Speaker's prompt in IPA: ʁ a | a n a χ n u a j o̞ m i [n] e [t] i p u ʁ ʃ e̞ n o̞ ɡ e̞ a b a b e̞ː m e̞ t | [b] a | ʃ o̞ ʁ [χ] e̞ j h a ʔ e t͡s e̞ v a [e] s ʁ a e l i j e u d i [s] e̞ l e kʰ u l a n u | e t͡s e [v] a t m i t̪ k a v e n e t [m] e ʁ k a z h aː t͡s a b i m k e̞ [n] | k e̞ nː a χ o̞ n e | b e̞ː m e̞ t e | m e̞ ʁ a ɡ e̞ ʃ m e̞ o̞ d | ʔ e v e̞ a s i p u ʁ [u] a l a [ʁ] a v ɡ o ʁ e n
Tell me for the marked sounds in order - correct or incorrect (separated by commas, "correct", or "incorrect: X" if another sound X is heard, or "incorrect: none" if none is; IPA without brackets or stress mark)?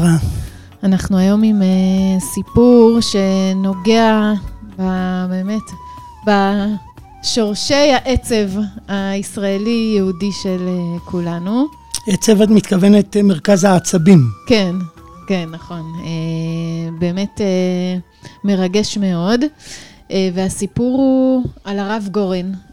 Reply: incorrect: m, incorrect: s, correct, incorrect: ʃ, incorrect: i, incorrect: ʃ, correct, correct, correct, correct, correct